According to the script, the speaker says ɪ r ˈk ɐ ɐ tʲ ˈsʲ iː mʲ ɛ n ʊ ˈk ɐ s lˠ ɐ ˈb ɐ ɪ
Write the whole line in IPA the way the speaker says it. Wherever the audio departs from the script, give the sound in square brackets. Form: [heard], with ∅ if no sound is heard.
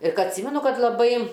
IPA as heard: ɪ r ˈk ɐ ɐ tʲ ˈsʲ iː mʲ ɛ n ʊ ˈk ɐ [t] lˠ ɐ ˈb ɐ ɪ